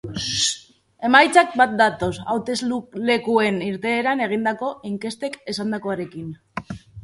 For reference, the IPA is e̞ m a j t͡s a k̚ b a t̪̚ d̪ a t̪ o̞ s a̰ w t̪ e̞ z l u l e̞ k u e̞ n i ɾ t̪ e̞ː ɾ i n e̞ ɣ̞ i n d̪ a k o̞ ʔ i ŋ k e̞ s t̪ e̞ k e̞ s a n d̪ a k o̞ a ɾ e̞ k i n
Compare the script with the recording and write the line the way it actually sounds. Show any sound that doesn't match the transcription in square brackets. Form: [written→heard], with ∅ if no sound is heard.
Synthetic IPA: e̞ m a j t͡s a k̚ b a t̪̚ d̪ a t̪ o̞ s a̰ w t̪ e̞ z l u l e̞ k u e̞ n i ɾ t̪ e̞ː ɾ [i→a] n e̞ ɣ̞ i n d̪ a k o̞ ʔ i ŋ k e̞ s t̪ e̞ k e̞ s a n d̪ a k o̞ a ɾ e̞ k i n